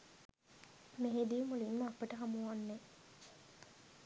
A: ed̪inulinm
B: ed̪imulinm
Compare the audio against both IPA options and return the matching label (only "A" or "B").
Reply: B